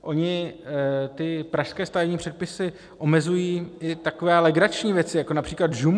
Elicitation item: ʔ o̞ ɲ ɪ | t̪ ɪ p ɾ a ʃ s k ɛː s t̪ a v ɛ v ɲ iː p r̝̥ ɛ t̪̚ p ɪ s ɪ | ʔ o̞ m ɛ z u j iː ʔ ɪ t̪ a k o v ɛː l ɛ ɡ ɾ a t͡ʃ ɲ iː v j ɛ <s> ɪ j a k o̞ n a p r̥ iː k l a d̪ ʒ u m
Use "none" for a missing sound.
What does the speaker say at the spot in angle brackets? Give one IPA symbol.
t͡s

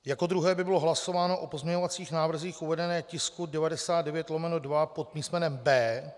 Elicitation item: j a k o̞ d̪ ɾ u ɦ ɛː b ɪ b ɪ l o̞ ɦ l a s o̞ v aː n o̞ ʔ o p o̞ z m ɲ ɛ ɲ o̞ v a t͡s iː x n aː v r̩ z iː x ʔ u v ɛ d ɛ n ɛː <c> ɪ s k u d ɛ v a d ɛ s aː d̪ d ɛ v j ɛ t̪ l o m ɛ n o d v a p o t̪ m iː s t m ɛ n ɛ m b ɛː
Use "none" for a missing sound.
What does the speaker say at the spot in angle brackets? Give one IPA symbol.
c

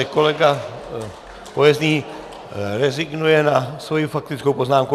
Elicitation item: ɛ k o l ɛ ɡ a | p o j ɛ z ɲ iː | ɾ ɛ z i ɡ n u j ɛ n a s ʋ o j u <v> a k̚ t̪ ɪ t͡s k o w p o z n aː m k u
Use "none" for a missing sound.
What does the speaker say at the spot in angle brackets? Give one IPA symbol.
f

